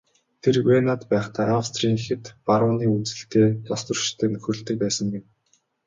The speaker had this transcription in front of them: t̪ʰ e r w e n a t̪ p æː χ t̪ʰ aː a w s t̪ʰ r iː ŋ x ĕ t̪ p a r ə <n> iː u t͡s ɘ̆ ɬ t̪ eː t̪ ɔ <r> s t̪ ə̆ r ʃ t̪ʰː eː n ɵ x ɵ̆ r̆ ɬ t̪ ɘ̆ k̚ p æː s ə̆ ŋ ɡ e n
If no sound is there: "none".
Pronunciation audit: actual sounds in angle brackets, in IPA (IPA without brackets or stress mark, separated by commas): n, none